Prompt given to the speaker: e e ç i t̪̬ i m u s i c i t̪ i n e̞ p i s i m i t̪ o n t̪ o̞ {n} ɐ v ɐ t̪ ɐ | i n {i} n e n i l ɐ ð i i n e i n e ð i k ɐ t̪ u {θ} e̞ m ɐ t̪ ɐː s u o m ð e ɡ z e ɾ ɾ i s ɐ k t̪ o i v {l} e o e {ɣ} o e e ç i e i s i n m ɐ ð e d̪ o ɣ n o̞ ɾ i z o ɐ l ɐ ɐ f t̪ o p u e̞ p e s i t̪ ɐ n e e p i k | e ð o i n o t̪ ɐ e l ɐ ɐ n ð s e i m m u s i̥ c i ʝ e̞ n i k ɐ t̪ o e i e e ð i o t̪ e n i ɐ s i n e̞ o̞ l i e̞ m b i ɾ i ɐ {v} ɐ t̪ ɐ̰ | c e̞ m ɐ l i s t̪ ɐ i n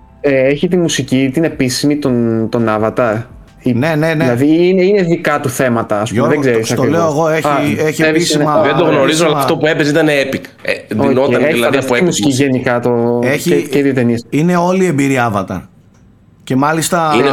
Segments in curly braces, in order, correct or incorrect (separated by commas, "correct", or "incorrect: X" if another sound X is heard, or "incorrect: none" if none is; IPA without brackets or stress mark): correct, incorrect: e, correct, correct, correct, correct